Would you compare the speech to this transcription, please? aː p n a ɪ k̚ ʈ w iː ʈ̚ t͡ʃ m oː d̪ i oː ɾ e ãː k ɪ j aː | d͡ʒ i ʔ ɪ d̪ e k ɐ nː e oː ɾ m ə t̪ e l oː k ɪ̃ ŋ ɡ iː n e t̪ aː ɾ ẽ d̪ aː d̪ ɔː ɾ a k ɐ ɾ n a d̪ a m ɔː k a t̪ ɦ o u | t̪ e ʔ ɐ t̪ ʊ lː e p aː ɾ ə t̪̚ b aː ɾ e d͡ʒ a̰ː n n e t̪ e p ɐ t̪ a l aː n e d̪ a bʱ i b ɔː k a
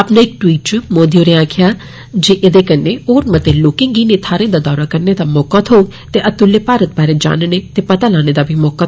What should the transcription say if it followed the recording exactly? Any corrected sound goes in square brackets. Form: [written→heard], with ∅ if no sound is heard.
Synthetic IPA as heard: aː p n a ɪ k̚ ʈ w iː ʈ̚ t͡ʃ m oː d̪ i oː ɾ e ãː [k→kʰ] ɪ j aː | d͡ʒ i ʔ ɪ d̪ e k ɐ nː e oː ɾ m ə t̪ e l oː k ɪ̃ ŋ ɡ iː n e [t̪→t̪ʰ] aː ɾ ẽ d̪ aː d̪ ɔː ɾ a k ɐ ɾ n [a→e] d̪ a m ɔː k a t̪ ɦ o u | t̪ e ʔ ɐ t̪ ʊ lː e p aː ɾ ə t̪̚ b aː ɾ e d͡ʒ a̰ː n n e t̪ e p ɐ t̪ a l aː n e d̪ a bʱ i [b→m] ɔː k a